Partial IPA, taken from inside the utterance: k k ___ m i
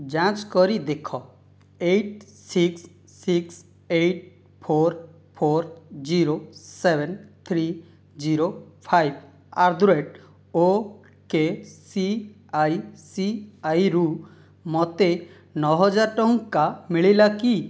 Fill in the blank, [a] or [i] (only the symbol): a